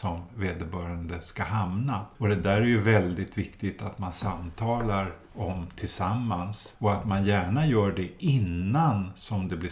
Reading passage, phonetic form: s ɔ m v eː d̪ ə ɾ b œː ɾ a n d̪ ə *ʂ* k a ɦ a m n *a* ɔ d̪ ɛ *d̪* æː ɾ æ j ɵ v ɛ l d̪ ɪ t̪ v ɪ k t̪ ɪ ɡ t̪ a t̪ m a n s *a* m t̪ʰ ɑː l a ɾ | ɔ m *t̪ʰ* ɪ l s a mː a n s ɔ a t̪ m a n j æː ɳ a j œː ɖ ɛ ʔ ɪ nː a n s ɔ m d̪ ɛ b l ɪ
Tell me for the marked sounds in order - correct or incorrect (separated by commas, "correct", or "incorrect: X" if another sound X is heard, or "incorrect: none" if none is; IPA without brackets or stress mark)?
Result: incorrect: s, correct, correct, correct, correct